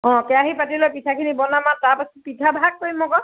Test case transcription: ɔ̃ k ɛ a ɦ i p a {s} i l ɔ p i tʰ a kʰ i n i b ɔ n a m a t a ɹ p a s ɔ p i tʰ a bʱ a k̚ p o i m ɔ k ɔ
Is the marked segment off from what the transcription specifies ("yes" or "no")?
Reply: yes